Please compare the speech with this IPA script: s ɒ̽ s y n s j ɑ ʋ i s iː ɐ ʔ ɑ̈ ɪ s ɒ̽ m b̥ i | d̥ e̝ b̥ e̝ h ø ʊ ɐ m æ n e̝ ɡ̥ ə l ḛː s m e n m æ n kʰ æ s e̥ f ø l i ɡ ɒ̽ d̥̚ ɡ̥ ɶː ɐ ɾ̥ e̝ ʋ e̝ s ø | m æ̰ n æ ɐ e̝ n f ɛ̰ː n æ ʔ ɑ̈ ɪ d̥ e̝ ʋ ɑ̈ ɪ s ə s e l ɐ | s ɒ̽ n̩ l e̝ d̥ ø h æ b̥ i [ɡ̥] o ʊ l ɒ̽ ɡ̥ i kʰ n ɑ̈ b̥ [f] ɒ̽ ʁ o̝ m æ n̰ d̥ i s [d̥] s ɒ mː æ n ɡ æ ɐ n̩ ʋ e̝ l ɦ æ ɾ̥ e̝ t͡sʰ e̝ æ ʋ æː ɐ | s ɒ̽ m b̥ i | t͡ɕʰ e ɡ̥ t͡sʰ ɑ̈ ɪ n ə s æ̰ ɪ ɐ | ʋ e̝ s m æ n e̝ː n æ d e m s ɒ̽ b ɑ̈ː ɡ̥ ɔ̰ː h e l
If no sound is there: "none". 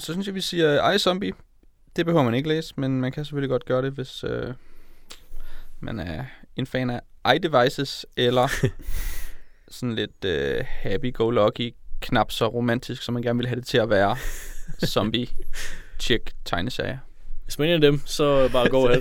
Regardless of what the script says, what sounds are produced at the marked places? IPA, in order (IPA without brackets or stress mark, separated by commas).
ɡ̥, s, ɡ̥